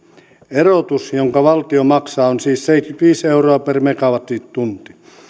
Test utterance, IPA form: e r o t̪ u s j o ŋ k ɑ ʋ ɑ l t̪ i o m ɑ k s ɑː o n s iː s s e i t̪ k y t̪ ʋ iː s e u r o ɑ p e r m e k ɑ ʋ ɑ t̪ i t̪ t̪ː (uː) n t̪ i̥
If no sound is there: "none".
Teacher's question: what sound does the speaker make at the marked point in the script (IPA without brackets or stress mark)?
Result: u